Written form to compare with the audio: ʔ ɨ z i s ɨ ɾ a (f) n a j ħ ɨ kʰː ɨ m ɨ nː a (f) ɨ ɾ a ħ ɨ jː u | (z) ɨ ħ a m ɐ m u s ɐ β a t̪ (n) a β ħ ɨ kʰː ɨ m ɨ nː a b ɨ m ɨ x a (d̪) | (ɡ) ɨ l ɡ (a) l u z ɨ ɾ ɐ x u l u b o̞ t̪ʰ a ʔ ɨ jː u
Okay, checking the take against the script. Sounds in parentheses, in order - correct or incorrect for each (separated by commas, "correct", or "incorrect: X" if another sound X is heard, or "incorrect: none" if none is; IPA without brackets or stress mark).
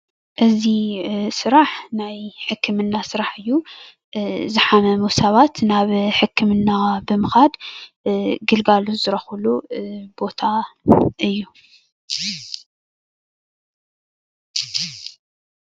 incorrect: ħ, incorrect: s, correct, correct, correct, correct, correct